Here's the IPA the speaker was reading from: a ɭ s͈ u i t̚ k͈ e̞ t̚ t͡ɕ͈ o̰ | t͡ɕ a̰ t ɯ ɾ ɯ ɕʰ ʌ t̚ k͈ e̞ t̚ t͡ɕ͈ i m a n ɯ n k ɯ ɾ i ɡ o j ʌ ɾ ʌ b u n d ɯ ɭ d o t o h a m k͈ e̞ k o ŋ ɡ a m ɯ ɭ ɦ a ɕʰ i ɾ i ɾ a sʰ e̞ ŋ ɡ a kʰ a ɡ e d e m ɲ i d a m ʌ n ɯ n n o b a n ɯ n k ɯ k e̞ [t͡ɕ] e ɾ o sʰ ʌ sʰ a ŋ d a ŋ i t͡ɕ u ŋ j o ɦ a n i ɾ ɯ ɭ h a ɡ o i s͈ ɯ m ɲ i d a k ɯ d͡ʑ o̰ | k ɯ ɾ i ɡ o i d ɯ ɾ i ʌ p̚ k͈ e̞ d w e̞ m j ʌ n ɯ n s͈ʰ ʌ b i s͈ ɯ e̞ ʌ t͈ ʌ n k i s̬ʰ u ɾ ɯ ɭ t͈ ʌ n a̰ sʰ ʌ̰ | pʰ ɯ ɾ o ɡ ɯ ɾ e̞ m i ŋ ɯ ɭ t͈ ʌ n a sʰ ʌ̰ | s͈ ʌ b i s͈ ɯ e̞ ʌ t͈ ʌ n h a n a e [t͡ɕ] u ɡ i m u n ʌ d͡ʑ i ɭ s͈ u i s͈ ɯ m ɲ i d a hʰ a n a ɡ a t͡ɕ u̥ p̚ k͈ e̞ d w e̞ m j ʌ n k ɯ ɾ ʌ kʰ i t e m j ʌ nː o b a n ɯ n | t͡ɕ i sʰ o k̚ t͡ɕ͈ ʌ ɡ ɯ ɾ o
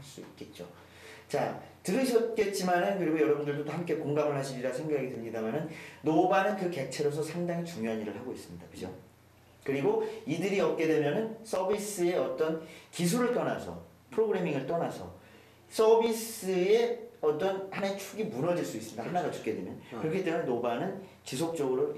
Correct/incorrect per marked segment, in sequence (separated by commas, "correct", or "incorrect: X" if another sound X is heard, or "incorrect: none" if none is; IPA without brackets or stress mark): incorrect: t͡ɕʰ, incorrect: t͡ɕʰ